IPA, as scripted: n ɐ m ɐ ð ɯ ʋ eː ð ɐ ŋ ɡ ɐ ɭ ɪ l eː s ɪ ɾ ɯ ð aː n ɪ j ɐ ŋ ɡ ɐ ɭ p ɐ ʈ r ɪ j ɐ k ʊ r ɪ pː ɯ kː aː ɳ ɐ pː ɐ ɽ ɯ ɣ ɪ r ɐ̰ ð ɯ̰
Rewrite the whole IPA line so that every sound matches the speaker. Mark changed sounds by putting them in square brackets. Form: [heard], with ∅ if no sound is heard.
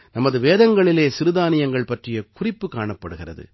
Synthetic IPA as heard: n ɐ m ɐ ð ɯ ʋ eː ð ɐ ŋ ɡ ɐ ɭ ɪ l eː s ɪ ɾ ɯ ð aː n ɪ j ɐ ŋ ɡ ɐ ɭ p ɐ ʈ r ɪ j ɐ k ʊ r ɪ pː ɯ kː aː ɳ ɐ pː ɐ ɽ ɯ ɣ ɪ r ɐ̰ ð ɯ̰